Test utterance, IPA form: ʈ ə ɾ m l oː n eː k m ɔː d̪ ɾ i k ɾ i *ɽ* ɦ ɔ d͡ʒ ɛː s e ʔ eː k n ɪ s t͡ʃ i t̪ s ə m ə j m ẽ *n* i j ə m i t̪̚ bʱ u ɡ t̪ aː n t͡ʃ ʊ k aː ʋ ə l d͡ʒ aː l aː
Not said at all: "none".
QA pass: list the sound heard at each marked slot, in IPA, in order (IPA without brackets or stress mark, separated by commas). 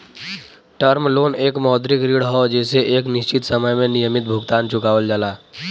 ɽ, n